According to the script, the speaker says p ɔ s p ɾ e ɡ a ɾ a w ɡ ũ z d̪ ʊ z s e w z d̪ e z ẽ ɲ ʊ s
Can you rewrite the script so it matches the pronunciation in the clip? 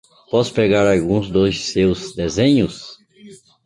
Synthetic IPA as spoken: p ɔ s p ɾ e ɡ a ɾ a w ɡ ũ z d̪ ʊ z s e w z d̪ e z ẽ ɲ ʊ s

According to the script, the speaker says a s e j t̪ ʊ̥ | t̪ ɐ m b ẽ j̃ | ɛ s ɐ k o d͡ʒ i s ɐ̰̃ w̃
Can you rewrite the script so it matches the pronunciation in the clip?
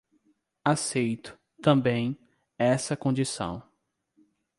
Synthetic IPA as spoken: a s e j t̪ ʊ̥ | t̪ ɐ̃ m b ẽ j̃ | ɛ s ɐ k õ d͡ʒ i s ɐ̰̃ w̃

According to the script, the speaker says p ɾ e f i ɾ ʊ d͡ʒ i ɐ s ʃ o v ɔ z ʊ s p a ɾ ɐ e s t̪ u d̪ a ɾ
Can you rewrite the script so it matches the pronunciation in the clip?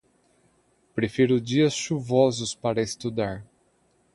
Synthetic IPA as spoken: p ɾ e f i ɾ ʊ d͡ʒ i ɐ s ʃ u v ɔ z ʊ s p a ɾ ɐ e s t̪ u d̪ a ɾ

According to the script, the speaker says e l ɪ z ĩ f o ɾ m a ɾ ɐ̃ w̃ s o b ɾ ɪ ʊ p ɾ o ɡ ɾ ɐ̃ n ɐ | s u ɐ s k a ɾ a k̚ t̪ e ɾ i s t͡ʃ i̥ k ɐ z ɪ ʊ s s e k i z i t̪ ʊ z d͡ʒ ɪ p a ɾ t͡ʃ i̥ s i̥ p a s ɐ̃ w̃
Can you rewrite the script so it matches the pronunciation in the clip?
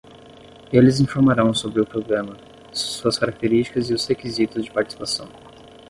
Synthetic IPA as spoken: e l ɪ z ĩ f o ɾ m a ɾ ɐ̃ w̃ s o b ɾ ɪ ʊ p ɾ o ɡ ɾ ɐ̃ m ɐ | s u ɐ s k a ɾ a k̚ t̪ e ɾ i s t͡ʃ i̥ k ɐ z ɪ ʊ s h e k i z i t̪ ʊ z d͡ʒ ɪ p a ɾ t͡ʃ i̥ s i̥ p a s ɐ̃ w̃

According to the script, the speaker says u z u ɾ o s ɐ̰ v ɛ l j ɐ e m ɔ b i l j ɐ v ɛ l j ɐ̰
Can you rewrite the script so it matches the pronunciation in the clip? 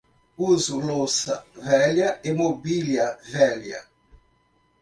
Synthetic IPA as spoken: u z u l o s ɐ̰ v ɛ l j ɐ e m o b i l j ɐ v ɛ l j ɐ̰

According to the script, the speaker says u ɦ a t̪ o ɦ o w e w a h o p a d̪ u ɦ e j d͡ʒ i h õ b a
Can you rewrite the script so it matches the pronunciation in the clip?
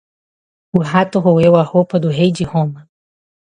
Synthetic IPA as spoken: u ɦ a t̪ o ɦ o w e w a h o p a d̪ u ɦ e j d͡ʒ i h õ m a

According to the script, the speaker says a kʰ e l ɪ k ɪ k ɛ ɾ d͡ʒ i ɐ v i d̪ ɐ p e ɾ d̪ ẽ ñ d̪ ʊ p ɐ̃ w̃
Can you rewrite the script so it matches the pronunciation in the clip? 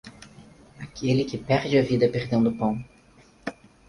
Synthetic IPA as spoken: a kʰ e l ɪ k ɪ p ɛ ɾ d͡ʒ ɪ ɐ v i d̪ ɐ p e ɾ d̪ ẽ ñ d̪ ʊ p ɐ̃ w̃

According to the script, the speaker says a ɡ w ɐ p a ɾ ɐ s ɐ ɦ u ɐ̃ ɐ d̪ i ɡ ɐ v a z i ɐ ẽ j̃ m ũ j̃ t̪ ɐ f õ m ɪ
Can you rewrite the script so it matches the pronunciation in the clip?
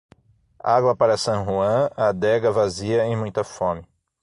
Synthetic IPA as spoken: a ɡ w ɐ p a ɾ ɐ s ɐ̃ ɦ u ɐ̃ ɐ d̪ ɛ ɡ ɐ v a z i ɐ ẽ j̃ m ũ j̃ t̪ ɐ f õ m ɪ

